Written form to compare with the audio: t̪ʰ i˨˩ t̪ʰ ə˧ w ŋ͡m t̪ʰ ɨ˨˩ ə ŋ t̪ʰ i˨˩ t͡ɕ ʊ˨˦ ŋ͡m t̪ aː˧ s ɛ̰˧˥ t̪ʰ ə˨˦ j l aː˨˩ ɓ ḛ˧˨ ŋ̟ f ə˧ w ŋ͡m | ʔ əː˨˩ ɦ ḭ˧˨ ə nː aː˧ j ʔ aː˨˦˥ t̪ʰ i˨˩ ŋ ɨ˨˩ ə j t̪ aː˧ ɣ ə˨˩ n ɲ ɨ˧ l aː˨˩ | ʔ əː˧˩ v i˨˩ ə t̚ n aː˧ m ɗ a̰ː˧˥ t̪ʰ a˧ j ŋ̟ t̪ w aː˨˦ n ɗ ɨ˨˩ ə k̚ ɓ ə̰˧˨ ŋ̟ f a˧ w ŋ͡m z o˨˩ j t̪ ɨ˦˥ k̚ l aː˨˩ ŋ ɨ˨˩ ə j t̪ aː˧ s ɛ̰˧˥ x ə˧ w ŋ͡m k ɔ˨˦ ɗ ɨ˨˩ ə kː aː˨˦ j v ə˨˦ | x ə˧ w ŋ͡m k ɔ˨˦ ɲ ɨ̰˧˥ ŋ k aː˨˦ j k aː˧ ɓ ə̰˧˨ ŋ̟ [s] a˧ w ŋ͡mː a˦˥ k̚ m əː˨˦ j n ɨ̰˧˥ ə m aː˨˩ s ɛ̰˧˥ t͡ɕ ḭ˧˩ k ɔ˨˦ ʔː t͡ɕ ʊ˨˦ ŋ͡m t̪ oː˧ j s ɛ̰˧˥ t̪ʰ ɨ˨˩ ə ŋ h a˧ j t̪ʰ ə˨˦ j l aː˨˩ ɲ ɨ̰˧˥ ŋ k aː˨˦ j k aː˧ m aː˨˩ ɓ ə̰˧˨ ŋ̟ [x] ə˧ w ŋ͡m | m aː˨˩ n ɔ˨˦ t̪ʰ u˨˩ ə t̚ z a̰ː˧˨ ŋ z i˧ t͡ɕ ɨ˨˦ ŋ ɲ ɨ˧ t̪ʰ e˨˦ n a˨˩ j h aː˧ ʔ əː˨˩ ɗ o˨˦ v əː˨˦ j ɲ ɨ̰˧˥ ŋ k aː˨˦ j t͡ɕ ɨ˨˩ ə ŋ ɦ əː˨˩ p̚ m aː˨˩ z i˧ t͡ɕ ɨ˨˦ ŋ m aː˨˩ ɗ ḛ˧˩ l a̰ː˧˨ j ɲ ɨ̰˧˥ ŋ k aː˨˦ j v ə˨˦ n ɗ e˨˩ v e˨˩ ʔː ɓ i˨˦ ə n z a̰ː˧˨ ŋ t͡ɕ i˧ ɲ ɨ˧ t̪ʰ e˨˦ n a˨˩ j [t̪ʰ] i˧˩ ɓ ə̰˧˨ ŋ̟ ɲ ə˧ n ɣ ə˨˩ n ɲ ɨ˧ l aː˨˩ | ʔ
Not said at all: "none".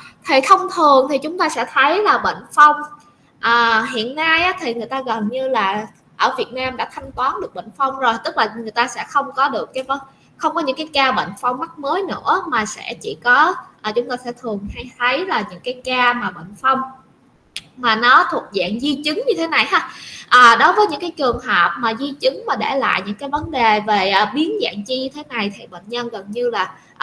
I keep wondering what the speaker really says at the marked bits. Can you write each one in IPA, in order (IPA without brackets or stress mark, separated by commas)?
f, f, t̪ʰ